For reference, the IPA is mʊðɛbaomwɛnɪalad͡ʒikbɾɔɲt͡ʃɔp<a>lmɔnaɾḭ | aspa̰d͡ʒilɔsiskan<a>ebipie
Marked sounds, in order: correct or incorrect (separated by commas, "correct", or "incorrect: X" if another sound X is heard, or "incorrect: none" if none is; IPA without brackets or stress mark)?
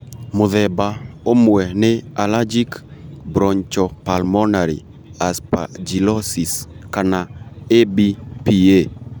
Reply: correct, correct